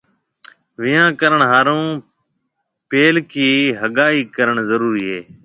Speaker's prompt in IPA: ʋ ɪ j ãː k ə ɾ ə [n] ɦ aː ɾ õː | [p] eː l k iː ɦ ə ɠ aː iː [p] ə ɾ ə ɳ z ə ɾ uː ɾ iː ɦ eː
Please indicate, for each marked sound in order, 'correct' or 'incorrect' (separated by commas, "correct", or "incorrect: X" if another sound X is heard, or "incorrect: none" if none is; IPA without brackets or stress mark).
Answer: incorrect: ɳ, correct, incorrect: k